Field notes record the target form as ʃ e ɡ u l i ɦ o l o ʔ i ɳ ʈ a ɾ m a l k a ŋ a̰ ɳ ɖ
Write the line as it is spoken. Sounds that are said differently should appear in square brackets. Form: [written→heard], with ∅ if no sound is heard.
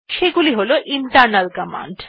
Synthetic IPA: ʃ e ɡ u l i ɦ o l o ʔ i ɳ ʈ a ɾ [m→n] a l k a [ŋ→m] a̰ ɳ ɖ